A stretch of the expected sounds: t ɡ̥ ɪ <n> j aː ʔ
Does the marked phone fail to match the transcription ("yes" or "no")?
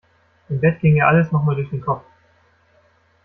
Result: yes